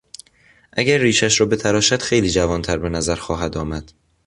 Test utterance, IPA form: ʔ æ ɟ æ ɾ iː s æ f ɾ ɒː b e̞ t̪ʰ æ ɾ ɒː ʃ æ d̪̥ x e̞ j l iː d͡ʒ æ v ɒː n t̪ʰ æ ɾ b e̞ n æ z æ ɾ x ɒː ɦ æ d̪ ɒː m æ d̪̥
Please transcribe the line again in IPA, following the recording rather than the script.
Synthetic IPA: ʔ æ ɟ æ ɾː iː ʃ æ ʃ ɾ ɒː b e̞ t̪ʰ æ ɾ ɒː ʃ æ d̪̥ x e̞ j l iː d͡ʒ æ v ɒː n t̪ʰ æ ɾ b e̞ n æ z æ ɾ x ɒː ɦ æ d̪ ɒː m æ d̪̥